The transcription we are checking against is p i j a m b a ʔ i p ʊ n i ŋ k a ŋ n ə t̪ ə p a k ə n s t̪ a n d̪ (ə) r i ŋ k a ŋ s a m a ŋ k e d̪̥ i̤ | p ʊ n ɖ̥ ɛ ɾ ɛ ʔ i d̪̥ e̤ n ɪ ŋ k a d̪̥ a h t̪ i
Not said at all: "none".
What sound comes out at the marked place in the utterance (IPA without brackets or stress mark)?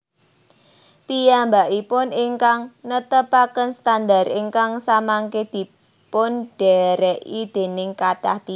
a